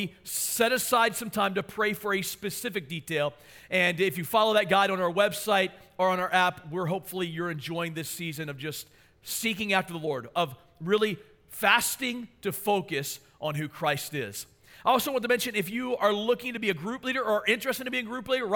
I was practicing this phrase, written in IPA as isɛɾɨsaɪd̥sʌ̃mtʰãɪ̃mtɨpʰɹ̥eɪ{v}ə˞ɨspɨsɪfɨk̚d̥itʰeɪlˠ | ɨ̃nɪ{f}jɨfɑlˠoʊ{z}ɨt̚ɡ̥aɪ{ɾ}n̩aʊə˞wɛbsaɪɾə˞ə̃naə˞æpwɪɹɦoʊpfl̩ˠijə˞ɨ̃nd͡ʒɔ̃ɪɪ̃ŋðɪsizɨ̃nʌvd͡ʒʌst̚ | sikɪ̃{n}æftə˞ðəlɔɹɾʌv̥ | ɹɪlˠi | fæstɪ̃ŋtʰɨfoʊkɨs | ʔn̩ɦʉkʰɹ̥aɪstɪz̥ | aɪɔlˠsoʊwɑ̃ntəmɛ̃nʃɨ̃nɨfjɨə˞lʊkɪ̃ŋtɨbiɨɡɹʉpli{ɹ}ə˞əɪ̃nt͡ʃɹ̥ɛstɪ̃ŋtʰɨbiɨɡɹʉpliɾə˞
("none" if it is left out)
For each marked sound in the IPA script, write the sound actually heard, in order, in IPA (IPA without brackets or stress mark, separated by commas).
f, f, ð, ɾ, ŋ, ɾ